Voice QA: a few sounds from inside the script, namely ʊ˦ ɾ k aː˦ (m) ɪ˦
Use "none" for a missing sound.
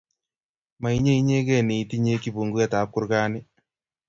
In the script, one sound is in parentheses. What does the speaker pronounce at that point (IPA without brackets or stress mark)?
n